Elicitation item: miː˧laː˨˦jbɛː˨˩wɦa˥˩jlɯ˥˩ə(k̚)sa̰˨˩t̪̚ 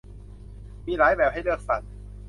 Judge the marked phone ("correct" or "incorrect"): correct